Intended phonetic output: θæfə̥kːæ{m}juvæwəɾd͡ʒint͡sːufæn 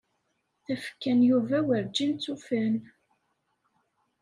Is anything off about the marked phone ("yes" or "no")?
yes